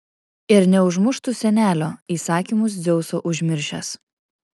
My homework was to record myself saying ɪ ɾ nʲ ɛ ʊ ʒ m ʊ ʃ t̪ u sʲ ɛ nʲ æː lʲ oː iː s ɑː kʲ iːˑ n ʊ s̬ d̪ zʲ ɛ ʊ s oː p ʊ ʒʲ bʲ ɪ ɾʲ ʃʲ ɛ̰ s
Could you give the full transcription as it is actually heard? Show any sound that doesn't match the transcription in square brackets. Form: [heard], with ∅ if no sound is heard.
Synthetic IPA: ɪ ɾ nʲ ɛ ʊ ʒ m ʊ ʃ t̪ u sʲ ɛ nʲ æː lʲ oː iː s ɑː kʲ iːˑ [m] ʊ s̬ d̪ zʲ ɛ ʊ s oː [ʔ] ʊ ʒʲ [mʲ] ɪ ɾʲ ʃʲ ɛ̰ s

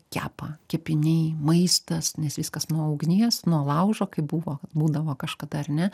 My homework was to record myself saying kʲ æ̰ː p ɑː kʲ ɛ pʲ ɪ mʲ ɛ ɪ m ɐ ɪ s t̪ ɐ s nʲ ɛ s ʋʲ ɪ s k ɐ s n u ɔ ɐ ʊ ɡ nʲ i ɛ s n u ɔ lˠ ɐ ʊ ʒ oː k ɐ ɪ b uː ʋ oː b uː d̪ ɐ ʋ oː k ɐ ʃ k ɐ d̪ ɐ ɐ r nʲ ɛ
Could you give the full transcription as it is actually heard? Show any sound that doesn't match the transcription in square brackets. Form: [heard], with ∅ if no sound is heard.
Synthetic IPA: kʲ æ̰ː p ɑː kʲ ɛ pʲ ɪ [nʲ] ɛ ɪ m ɐ ɪ s t̪ ɐ s nʲ ɛ s ʋʲ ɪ s k ɐ s n u ɔ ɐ ʊ ɡ nʲ i ɛ s n u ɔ lˠ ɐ ʊ ʒ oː k ɐ ɪ b uː ʋ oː b uː d̪ ɐ ʋ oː k ɐ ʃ k ɐ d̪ ɐ ɐ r nʲ ɛ

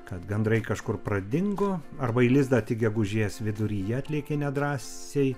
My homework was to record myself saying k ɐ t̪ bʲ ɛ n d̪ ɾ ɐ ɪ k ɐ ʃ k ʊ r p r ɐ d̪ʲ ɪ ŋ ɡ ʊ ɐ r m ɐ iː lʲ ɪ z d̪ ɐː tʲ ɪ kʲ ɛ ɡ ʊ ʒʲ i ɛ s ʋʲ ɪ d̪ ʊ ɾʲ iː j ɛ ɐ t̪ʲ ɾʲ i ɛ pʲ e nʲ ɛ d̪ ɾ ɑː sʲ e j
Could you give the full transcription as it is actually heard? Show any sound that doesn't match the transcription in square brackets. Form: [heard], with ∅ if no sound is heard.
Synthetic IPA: k ɐ t̪ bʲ ɛ n d̪ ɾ ɐ ɪ k ɐ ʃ k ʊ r p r ɐ d̪ʲ ɪ ŋ ɡ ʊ ɐ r [b] ɐ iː lʲ ɪ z d̪ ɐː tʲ ɪ [ɡʲ] ɛ ɡ ʊ ʒʲ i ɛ s ʋʲ ɪ d̪ ʊ ɾʲ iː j ɛ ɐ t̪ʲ [lʲ] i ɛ [kʲ] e nʲ ɛ d̪ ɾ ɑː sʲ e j

